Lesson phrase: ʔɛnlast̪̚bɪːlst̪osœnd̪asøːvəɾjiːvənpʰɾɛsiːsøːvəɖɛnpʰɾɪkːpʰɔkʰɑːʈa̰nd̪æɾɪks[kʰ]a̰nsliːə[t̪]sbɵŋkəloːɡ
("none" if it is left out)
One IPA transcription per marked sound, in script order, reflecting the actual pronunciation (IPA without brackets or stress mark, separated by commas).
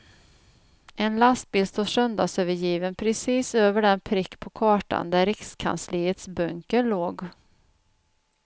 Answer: kʰ, t̪